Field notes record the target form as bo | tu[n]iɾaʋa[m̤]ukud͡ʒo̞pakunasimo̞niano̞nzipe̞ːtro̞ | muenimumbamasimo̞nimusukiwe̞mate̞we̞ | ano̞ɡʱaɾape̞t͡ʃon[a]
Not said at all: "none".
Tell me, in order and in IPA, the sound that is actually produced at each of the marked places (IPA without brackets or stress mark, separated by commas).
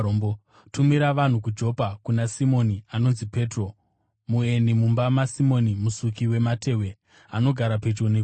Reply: m, n̤, e